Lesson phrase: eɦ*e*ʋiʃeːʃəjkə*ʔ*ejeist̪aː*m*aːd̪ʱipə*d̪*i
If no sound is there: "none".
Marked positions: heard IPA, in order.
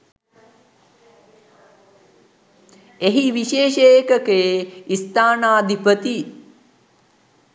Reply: i, k, n, t̪

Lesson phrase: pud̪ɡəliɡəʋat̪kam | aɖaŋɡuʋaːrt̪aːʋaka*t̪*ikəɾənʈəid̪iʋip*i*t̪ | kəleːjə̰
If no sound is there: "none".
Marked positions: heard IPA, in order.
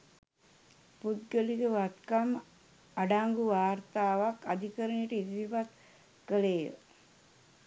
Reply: d̪, a

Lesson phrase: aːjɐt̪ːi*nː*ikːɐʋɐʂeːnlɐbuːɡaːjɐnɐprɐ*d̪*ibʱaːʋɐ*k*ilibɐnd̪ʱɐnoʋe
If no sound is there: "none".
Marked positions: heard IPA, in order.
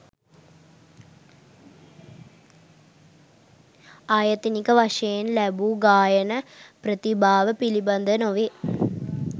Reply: n, t̪, p

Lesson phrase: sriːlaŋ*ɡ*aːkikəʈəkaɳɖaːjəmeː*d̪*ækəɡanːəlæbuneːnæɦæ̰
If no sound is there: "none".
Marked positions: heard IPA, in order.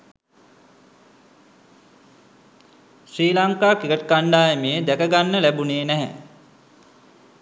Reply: k, d̪

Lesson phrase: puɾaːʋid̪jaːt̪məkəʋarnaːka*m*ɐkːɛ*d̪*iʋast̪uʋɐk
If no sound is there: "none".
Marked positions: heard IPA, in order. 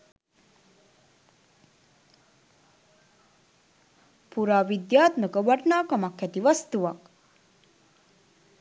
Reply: m, t̪

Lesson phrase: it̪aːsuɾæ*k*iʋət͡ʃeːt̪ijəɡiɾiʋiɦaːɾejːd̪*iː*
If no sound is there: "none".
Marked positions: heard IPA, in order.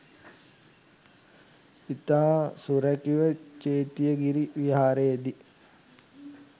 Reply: k, i

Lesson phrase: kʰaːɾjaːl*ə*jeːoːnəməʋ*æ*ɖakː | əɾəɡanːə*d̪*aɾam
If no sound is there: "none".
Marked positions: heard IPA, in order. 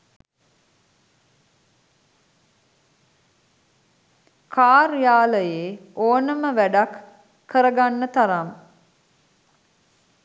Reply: ə, æ, t̪

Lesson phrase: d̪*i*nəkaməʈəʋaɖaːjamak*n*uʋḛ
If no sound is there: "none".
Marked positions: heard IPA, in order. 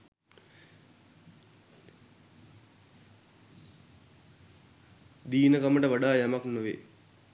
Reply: iː, n

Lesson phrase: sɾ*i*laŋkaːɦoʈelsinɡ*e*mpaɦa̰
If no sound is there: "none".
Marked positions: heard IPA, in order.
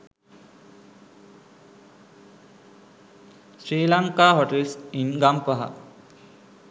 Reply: iː, a

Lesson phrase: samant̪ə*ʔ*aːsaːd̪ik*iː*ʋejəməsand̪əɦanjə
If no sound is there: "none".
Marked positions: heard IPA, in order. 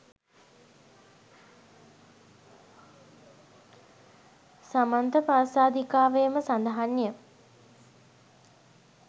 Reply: p, aː

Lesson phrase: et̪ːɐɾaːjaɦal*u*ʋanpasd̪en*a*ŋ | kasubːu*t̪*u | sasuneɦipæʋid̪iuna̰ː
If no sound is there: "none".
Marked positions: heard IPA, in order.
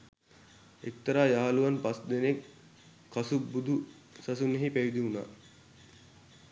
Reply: u, e, d̪

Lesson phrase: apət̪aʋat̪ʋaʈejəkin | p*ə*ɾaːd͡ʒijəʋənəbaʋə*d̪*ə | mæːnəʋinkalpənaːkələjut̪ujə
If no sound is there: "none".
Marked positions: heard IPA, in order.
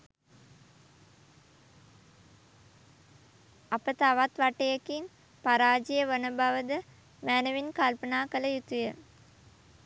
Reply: a, d̪

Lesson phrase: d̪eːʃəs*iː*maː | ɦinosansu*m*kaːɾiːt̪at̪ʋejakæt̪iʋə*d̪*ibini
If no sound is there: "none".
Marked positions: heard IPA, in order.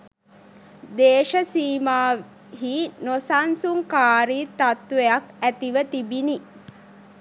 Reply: iː, ŋ, t̪

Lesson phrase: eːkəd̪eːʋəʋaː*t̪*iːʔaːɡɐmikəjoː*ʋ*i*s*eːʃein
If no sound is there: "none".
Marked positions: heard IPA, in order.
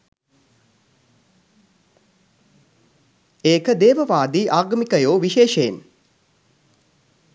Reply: d̪, ʋ, ʃ

